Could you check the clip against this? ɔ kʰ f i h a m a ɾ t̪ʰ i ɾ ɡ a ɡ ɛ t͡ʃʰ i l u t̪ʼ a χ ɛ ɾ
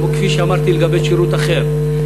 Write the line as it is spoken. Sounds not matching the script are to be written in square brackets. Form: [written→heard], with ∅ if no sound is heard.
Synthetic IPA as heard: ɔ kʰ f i [h→ʃ] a m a ɾ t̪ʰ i [ɾ→l] ɡ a [ɡ→b] ɛ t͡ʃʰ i [l→ɾ] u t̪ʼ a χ ɛ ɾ

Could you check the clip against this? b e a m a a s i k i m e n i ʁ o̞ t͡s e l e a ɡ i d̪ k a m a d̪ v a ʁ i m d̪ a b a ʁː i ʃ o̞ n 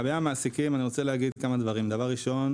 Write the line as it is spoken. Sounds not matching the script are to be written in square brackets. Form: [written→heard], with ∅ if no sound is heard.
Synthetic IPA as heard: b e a m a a s i k i m [e→a] n i ʁ o̞ t͡s e l e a ɡ i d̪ k a m a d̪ v a ʁ i m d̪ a [b→v] a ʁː i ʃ o̞ n

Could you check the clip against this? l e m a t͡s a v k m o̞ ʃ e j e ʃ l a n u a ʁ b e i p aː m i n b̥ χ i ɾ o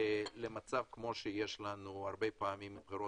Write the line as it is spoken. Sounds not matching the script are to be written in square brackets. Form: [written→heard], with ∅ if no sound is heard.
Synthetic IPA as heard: l e m a t͡s a v k m o̞ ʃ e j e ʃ l a n u a ʁ b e [i→j] p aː m i [n→m] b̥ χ i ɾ o

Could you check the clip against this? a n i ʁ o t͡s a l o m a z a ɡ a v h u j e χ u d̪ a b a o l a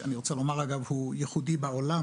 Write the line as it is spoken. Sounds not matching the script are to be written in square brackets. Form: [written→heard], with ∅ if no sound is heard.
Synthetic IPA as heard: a n i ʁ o t͡s a l o m a [z→ʁ] a ɡ a v h u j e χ u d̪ [a→i] b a o l a

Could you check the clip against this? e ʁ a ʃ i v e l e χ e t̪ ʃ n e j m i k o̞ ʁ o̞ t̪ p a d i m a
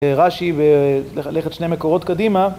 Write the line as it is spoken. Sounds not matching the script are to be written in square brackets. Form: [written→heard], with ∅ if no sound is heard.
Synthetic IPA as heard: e ʁ a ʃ i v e l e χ e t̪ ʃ n e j m [i→e] k o̞ ʁ o̞ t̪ [p→k] a d i m a

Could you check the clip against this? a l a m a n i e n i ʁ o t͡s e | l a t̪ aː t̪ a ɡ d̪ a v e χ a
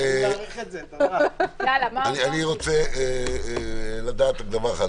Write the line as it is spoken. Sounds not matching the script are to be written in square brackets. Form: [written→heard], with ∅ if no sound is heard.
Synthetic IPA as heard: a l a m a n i [e→a] n i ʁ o t͡s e | l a [t̪→d̪] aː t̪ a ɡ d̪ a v [e→a] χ a

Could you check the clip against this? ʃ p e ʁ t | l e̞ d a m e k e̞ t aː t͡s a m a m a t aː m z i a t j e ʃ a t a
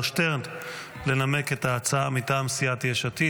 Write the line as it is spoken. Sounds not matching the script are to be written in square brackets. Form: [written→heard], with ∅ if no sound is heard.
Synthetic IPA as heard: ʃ [p→t] e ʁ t | l e̞ [d→n] a m e k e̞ t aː t͡s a [m→∅] a m [a→i] t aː m [z→s] i a t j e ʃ a t [a→i]

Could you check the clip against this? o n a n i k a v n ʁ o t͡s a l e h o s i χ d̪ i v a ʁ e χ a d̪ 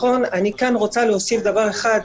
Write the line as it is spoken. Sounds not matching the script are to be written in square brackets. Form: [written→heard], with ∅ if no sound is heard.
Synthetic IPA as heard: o n a n i k a [v→∅] n ʁ o t͡s a l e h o s i [χ→f] d̪ [i→a] v a ʁ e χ a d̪

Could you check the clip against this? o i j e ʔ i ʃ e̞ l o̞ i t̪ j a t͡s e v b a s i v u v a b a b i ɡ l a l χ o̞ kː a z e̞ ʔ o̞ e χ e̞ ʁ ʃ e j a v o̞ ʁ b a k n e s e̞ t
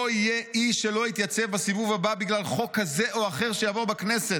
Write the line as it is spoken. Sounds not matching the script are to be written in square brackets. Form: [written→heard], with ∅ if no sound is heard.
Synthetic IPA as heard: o i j e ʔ i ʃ e̞ l o̞ i t̪ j a t͡s e v b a s i v u v a b a b i ɡ l a l χ o̞ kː a z e̞ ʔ o̞ [e→a] χ e̞ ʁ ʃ e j a v o̞ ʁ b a k n e s e̞ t

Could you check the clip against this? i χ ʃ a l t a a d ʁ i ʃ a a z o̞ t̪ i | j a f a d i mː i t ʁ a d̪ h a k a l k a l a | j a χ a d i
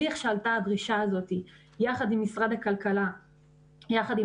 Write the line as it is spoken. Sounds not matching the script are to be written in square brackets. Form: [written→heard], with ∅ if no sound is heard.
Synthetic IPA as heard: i χ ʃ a l t a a d ʁ i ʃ a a z o̞ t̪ i | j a [f→χ] a d i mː i [t→s] ʁ a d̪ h a k a l k a l a | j a χ a d i

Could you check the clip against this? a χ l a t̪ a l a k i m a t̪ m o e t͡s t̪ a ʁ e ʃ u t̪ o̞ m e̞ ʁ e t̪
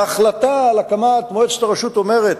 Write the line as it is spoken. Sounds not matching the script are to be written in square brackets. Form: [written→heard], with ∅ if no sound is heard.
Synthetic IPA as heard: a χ l a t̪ a l a k [i→a] m a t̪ m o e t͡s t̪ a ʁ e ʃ u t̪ o̞ m e̞ ʁ e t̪

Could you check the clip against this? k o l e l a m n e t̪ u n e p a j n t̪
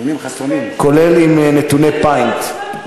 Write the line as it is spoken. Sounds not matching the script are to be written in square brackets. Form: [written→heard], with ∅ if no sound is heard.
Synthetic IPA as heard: k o l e l [a→i] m n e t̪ u n e p a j n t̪

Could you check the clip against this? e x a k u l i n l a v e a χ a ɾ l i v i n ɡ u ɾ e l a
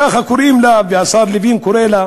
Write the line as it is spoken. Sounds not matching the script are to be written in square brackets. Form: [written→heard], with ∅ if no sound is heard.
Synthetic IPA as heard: [e→a] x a k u [l→ɾ] i [n→m] l a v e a [χ→s] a ɾ l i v i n [ɡ→k] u ɾ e l a

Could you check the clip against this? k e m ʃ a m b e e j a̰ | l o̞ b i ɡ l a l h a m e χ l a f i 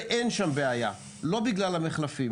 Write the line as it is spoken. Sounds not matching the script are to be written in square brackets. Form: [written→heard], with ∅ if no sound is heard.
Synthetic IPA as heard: [k→ʔ] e [m→n] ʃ a m b e [e→a] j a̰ | l o̞ b i ɡ l a l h a m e χ l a f i

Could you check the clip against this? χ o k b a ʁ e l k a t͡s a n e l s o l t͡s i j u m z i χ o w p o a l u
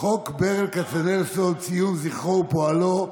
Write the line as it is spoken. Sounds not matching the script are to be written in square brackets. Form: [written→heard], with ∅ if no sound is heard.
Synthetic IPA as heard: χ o k b [a→e] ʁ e l k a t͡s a n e l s o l t͡s i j u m z i χ o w p o a l [u→o]

